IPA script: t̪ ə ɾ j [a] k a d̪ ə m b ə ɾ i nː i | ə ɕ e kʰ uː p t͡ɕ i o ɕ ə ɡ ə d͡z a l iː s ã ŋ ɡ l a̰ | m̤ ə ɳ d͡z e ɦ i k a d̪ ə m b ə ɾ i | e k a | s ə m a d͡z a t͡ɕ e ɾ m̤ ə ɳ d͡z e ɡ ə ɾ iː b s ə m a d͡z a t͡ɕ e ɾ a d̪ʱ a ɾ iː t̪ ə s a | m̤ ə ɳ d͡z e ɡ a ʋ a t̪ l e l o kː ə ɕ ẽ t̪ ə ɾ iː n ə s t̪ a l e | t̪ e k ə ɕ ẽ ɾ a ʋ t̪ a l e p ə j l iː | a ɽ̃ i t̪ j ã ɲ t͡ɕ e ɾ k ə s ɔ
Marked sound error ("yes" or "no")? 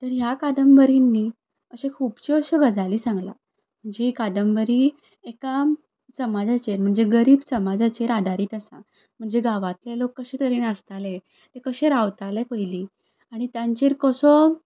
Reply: no